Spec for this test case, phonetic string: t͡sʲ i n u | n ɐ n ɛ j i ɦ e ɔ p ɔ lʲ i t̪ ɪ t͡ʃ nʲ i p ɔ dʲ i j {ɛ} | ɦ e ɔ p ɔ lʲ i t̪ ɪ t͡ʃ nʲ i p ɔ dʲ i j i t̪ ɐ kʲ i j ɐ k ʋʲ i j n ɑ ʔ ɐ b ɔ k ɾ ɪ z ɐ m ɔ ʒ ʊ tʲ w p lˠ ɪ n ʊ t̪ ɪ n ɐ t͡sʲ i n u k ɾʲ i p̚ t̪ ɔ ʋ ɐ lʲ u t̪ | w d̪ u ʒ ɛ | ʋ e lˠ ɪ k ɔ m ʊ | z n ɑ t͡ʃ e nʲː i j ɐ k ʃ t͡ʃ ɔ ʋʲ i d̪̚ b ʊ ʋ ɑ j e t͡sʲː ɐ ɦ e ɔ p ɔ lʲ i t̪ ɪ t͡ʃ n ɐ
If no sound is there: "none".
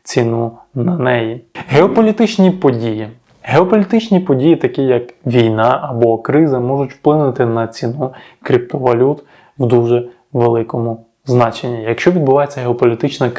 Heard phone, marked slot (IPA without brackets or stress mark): i